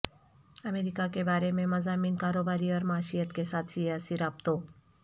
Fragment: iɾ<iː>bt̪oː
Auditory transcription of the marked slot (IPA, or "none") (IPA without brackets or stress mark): aː